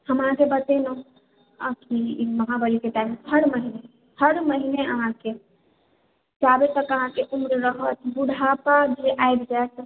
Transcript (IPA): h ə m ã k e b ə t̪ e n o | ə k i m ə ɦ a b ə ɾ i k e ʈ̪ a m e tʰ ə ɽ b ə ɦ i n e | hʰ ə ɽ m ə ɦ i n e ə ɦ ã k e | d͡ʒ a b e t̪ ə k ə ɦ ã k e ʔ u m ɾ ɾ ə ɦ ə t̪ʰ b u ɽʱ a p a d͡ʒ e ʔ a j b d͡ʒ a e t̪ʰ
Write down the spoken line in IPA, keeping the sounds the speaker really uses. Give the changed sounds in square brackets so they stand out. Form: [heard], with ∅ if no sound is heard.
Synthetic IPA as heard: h ə m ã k e b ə t̪ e n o | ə k i m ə ɦ a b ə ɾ i k e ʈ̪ a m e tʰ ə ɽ [m] ə ɦ i n e | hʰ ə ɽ m ə ɦ i n e ə ɦ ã k e | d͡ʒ a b e t̪ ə k ə ɦ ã k e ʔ u m ɾ ɾ ə ɦ ə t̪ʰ b u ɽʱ a p a d͡ʒ e ʔ a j b d͡ʒ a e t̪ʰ